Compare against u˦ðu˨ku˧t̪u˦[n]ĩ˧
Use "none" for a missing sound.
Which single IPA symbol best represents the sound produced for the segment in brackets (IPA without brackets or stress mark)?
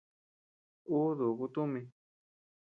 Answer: m